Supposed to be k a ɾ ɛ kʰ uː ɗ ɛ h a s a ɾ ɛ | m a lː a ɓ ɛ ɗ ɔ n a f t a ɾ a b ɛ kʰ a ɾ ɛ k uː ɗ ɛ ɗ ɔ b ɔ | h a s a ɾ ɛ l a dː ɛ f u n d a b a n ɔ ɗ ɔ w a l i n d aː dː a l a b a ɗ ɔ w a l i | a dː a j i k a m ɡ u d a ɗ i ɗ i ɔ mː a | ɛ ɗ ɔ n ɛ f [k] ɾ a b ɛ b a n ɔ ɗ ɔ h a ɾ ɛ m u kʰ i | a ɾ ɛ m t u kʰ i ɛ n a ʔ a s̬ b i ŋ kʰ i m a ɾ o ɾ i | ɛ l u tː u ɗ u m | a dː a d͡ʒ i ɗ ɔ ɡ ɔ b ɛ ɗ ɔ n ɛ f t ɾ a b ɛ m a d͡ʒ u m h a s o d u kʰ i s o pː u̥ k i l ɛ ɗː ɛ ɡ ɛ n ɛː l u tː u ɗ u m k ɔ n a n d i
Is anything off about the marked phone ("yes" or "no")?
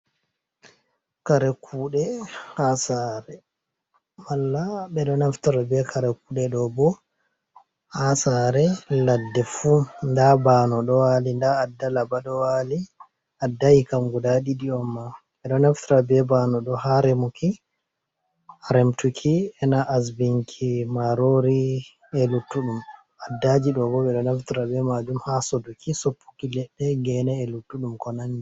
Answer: yes